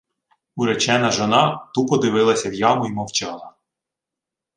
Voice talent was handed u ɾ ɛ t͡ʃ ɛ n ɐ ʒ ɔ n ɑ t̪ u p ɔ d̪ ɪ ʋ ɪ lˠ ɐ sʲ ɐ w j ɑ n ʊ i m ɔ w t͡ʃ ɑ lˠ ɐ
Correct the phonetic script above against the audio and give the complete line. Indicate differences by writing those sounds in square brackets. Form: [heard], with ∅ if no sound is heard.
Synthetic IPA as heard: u ɾ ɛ t͡ʃ ɛ n ɐ ʒ ɔ n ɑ t̪ u p ɔ d̪ ɪ ʋ ɪ lˠ ɐ sʲ ɐ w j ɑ [m] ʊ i m ɔ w t͡ʃ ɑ lˠ ɐ